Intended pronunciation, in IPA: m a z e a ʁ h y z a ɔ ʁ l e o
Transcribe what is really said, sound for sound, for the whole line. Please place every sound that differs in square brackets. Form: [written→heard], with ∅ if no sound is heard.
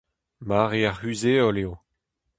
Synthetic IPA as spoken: m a [z→ʁ] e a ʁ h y z [a→e] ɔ [ʁ→∅] l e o